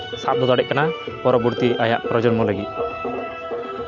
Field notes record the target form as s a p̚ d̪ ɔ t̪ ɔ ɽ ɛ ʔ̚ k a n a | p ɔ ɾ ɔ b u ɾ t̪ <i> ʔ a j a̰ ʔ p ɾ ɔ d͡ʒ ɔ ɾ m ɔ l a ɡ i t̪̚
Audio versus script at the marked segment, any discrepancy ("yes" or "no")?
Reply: no